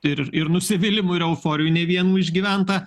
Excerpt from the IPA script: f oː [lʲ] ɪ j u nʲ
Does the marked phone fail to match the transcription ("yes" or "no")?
yes